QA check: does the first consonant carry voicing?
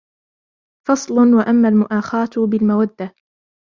no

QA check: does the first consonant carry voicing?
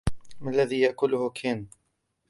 yes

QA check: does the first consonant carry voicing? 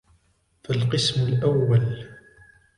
no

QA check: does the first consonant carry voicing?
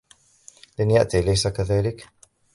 yes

